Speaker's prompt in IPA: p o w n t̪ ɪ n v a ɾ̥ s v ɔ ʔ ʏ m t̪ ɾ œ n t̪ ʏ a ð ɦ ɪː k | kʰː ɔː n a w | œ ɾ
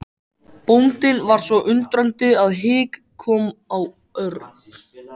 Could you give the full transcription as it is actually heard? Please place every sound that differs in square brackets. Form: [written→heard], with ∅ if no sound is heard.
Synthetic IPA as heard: p o w n t̪ ɪ n v a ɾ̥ s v ɔ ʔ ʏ [m→n] t̪ ɾ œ n t̪ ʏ a ð ɦ ɪː k | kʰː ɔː [n→m] a w | œ ɾ